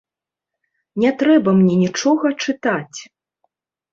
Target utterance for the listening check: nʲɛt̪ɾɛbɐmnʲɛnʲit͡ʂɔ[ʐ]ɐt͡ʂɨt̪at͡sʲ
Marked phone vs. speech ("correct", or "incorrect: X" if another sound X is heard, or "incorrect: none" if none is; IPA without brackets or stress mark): incorrect: ɣ